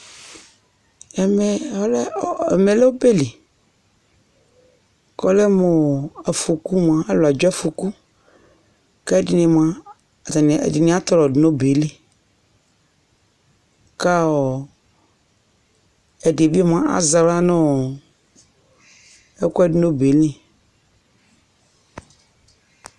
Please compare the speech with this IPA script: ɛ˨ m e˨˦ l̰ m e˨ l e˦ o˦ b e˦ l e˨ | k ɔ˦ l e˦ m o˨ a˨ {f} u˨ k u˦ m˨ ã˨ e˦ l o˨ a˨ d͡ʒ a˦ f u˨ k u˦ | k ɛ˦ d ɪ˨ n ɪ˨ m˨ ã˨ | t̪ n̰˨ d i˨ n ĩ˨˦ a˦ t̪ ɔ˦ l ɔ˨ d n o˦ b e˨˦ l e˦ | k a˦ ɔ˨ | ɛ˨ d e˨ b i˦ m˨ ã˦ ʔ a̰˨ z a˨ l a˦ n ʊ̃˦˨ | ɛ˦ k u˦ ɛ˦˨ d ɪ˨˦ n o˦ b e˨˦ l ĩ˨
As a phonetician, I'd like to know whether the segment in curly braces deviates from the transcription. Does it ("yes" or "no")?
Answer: no